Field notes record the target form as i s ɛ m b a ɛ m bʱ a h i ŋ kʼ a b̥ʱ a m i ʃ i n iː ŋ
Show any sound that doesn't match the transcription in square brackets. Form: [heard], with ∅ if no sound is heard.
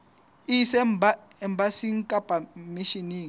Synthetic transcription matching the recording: i s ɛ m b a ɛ m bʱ a [s] i ŋ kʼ a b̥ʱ a m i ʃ i n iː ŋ